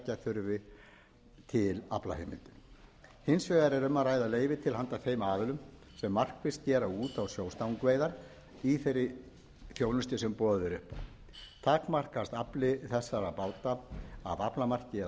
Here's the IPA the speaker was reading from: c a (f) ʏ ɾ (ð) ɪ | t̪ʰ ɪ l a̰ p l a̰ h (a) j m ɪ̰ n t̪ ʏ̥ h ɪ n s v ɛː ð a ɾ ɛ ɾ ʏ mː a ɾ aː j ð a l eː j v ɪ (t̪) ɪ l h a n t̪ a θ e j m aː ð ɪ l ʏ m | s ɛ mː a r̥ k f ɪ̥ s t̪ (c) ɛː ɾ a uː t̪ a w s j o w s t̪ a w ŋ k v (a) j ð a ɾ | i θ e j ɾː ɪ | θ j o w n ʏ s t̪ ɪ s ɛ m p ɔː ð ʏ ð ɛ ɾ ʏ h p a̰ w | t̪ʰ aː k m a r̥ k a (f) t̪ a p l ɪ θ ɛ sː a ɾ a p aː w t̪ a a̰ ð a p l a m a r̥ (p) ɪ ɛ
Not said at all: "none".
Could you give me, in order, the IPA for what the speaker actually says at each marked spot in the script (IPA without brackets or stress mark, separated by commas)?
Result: θ, v, e, t̪ʰ, c, e, s, c